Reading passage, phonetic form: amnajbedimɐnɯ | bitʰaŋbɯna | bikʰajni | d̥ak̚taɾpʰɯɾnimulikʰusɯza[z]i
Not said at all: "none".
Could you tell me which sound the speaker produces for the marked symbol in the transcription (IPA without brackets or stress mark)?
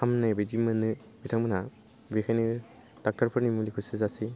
s